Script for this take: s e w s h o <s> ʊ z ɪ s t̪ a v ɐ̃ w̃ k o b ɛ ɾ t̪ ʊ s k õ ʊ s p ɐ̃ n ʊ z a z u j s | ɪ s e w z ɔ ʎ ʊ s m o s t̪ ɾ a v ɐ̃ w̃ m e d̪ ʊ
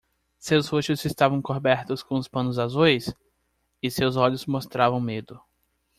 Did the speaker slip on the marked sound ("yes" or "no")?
yes